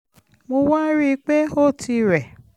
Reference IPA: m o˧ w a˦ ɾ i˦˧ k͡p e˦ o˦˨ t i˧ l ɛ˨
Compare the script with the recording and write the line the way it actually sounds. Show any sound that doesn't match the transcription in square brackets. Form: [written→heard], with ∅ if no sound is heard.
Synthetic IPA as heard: m o˧ w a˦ ɾ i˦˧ k͡p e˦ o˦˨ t i˧ [l→ɾ] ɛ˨